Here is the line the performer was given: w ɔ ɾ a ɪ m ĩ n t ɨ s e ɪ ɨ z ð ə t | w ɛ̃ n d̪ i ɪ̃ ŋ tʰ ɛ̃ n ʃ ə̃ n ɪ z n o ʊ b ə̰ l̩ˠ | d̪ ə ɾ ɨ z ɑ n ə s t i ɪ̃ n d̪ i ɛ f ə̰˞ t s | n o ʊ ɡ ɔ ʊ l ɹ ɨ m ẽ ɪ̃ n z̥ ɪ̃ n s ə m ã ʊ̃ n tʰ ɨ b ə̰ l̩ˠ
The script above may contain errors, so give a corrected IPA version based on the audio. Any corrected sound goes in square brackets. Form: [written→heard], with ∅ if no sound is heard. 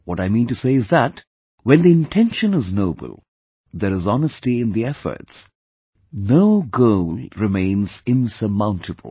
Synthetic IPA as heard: w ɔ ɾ a ɪ m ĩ n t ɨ s e ɪ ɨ z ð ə t | w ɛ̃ n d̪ i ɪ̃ [ŋ→n] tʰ ɛ̃ n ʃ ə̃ n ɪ z n o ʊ b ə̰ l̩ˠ | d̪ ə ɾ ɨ z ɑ n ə s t i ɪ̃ n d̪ i ɛ f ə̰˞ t s | n o ʊ ɡ [ɔ→o] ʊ l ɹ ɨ m ẽ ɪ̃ n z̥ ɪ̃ n s ə m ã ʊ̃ n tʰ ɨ b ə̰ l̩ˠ

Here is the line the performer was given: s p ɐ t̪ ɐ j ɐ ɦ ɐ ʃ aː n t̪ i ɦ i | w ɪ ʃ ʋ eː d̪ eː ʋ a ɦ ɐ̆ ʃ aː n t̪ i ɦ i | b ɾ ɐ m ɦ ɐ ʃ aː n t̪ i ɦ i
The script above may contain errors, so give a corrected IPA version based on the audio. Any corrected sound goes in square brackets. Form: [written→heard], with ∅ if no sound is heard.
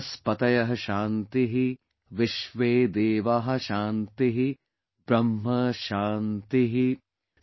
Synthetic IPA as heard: s p ɐ t̪ ɐ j ɐ ɦ ɐ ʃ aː n t̪ i ɦ i | [w→ʋ] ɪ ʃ ʋ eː d̪ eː ʋ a ɦ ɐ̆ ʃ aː n t̪ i ɦ i | b ɾ ɐ m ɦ ɐ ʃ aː n t̪ i ɦ i

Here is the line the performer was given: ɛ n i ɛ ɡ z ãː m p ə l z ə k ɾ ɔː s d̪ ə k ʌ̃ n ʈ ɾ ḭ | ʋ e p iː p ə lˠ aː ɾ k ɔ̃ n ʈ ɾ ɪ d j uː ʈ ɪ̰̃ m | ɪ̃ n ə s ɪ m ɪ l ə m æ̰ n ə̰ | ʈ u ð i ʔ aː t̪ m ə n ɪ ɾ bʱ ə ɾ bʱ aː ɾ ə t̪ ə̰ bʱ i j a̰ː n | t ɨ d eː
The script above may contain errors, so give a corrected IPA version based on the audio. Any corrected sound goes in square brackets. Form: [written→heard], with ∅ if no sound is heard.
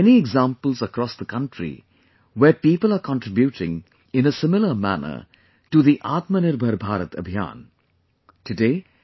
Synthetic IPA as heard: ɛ n i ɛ ɡ z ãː m p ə l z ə k ɾ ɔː s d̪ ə k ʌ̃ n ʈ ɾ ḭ | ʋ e p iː p ə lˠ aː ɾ k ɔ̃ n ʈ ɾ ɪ [d→b] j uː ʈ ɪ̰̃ [m→ŋ] | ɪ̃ n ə s ɪ m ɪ l ə m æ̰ n ə̰ | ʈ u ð i ʔ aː t̪ m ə n ɪ ɾ bʱ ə ɾ bʱ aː ɾ ə t̪ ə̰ bʱ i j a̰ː n | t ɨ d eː

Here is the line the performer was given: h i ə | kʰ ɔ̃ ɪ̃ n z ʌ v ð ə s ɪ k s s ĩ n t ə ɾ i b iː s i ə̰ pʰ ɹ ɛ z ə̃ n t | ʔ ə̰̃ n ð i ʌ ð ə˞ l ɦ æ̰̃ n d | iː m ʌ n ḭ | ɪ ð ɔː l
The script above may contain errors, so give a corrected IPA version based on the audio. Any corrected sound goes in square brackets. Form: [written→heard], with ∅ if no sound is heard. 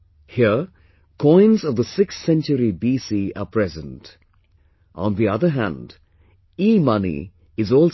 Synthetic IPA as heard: h i ə | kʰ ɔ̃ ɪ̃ n z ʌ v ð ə s ɪ k s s [ĩ→ɛ̃] n [t→t͡ʃ] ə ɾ i b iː s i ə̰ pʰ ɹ ɛ z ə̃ n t | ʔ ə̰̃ n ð i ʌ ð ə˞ [l→∅] ɦ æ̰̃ n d | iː m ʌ n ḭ | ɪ [ð→z] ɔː l

